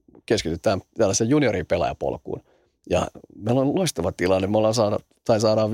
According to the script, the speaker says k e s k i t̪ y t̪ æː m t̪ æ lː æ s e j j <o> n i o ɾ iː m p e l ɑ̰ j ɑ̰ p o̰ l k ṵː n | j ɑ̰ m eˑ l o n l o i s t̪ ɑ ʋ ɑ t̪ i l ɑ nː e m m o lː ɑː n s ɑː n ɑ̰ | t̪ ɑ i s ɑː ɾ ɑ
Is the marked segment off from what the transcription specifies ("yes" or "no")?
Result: yes